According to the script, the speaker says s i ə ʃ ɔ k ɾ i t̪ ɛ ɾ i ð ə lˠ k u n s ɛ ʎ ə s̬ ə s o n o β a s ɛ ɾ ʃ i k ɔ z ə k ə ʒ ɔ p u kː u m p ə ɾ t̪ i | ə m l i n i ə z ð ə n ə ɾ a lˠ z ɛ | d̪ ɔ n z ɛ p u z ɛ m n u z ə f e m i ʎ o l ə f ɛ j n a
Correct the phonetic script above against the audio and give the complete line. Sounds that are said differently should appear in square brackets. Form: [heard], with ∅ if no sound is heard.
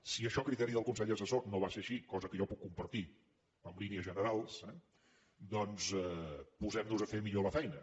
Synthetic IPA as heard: s i ə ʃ ɔ k ɾ i t̪ ɛ ɾ i ð ə lˠ k u n s ɛ ʎ ə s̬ ə s o n o β a s [e] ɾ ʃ i k ɔ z ə k ə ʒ ɔ p u kː u m p ə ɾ t̪ i | ə m l i n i ə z [ʒ] ə n ə ɾ a lˠ [s] ɛ | d̪ ɔ n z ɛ p u z ɛ m n u z ə f e m i ʎ o l ə f ɛ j n [ə]